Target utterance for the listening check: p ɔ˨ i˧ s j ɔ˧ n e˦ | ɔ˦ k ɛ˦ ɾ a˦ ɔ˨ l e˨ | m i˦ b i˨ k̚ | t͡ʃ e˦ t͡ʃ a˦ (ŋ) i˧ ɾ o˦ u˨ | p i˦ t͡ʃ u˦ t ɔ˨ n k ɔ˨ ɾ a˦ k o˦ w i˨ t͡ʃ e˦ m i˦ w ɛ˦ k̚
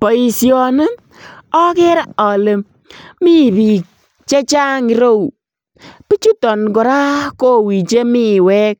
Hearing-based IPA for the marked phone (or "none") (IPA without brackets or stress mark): ŋ